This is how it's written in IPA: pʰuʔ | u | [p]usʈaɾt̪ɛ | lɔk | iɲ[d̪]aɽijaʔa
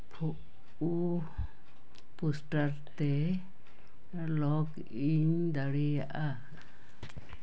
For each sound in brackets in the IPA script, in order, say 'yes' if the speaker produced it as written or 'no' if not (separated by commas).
yes, yes